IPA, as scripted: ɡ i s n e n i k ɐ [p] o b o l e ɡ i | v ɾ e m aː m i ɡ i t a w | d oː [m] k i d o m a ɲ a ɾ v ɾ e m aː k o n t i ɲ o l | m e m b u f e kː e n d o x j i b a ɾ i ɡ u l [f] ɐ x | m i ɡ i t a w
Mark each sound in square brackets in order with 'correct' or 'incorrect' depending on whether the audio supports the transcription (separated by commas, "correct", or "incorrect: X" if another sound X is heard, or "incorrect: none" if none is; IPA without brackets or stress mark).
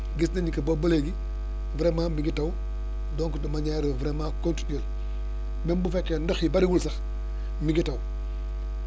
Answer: incorrect: b, incorrect: ŋ, incorrect: s